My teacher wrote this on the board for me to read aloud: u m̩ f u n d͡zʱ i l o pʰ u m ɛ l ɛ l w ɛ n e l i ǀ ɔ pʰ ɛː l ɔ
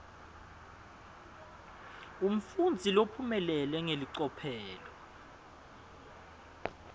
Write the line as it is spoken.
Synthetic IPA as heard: u m̩ f u n d͡zʱ i l o pʰ u m ɛ l ɛ l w ɛ ŋ e l i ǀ ɔ pʰ ɛː l ɔ